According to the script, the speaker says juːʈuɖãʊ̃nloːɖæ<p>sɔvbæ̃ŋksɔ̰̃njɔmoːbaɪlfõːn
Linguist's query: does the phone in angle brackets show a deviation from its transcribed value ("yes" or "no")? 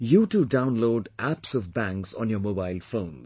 no